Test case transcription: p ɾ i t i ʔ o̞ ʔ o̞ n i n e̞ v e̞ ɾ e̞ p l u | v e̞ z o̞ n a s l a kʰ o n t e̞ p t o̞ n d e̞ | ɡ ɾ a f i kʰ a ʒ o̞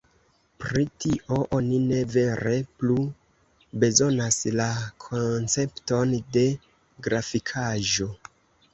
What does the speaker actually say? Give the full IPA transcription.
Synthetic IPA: p ɾ i t i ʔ o̞ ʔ o̞ n i n e̞ v e̞ ɾ e̞ p l u | b e̞ z o̞ n a s l a kʰ o n t͡s e̞ p t o̞ n d e̞ | ɡ ɾ a f i kʰ a ʒ o̞